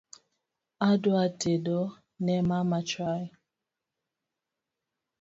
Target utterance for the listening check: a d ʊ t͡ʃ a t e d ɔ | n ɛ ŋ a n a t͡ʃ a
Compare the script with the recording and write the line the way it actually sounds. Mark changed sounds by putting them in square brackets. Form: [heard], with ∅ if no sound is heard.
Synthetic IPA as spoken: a d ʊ [∅] a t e d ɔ | n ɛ [m] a [m] a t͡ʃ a